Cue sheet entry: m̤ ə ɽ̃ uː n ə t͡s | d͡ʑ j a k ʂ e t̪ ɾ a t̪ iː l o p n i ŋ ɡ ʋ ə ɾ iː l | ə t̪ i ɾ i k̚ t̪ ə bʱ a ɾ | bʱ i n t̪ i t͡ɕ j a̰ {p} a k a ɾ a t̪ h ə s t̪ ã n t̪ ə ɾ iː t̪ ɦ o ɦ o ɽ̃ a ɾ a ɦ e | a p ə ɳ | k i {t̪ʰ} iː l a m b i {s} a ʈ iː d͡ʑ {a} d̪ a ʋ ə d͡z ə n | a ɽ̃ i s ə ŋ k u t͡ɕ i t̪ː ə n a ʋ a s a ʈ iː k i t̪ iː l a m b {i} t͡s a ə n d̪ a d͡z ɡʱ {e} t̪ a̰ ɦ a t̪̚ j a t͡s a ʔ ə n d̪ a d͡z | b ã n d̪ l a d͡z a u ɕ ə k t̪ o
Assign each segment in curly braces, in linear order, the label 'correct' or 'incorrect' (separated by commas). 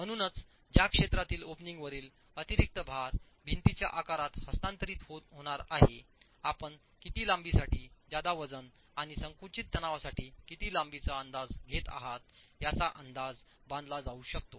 incorrect, incorrect, correct, correct, correct, correct